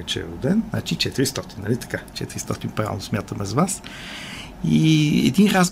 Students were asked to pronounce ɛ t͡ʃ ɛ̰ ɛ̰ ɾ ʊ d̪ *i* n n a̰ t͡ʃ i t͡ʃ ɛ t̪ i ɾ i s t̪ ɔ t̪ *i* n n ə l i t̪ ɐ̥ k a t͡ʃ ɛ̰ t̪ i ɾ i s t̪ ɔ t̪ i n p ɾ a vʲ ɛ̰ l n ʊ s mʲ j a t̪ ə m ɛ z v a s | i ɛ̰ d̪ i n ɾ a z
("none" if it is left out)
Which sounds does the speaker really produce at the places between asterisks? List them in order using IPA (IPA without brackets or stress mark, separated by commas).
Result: ɛ, i